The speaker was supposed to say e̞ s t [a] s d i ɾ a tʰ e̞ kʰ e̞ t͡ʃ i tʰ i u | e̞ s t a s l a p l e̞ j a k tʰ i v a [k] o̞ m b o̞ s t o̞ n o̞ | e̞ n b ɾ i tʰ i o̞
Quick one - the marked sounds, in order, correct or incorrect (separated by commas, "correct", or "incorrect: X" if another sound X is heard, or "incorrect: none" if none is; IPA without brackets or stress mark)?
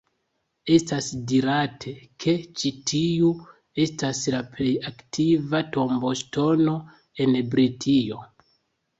correct, incorrect: t